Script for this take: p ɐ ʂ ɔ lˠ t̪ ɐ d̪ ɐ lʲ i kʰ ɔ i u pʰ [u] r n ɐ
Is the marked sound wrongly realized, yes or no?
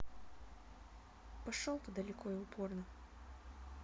yes